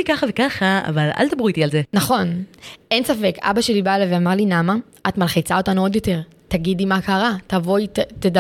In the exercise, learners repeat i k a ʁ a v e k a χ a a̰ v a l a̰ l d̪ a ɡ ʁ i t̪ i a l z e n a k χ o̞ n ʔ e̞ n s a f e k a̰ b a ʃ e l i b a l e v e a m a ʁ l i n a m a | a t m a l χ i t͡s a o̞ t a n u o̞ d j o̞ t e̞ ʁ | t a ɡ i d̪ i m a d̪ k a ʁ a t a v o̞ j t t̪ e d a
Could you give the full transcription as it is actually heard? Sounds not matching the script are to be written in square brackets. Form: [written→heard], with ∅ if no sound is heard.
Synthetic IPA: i k a [ʁ→χ] a v e k a χ a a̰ v a l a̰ l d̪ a [ɡ→b] ʁ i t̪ i a l z e n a [k→∅] χ o̞ n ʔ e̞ n s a f e k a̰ b a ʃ e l i b a l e v e a m a ʁ l i n a m a | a t m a l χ i t͡s a o̞ t a n u o̞ d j o̞ t e̞ ʁ | t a ɡ i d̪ i m a [d̪→∅] k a ʁ a t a v o̞ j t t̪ e d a